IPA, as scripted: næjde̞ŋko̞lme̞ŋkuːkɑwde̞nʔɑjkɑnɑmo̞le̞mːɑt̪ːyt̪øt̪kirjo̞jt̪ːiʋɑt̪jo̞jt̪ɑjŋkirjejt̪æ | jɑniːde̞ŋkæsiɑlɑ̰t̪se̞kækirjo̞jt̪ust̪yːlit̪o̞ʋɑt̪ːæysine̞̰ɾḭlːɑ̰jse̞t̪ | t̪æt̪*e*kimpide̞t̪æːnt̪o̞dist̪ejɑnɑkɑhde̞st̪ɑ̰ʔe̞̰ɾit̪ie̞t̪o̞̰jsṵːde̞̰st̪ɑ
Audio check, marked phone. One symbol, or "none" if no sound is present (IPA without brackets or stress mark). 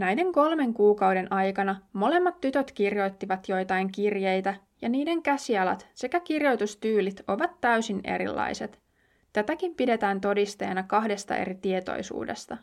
æ